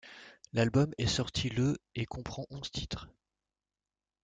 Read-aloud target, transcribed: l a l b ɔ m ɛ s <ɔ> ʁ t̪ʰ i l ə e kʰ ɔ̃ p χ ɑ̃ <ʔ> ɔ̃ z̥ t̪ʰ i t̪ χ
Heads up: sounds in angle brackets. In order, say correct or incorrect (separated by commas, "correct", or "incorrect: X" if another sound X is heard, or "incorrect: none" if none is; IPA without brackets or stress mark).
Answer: correct, correct